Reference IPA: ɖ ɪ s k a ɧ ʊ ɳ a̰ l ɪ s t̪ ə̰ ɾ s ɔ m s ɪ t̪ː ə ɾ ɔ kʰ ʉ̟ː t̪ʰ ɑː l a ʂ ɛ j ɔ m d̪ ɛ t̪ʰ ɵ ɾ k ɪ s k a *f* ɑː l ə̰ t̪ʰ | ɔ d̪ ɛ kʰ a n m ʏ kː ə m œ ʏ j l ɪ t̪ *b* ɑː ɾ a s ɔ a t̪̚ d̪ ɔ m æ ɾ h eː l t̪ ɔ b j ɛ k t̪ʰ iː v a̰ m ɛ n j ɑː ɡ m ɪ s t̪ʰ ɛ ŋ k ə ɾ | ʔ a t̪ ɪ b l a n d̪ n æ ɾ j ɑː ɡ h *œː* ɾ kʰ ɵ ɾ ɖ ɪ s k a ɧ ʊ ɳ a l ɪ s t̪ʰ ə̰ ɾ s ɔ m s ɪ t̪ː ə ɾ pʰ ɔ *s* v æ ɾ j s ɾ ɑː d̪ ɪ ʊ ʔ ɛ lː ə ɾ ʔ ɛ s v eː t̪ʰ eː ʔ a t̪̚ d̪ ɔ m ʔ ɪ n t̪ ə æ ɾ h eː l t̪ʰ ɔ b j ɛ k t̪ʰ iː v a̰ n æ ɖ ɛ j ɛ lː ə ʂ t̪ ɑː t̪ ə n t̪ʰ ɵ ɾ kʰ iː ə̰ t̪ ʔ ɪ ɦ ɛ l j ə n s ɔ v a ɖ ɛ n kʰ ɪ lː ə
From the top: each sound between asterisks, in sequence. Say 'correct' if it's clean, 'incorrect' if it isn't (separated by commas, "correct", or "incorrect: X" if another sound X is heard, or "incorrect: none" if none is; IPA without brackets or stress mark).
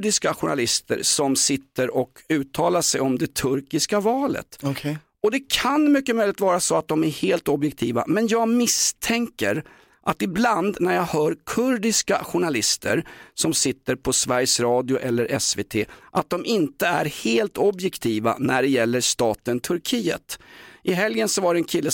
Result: incorrect: v, incorrect: v, correct, correct